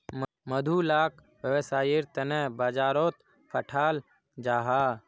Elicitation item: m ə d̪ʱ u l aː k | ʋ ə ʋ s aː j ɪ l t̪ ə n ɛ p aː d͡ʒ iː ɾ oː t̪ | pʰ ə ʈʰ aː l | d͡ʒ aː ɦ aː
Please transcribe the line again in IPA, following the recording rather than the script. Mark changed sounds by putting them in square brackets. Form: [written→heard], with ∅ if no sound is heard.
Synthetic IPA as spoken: m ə d̪ʱ u l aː k | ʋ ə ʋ s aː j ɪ [l→ɾ] t̪ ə n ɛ [p→b] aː d͡ʒ [iː→aː] ɾ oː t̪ | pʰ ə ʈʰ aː l | d͡ʒ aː ɦ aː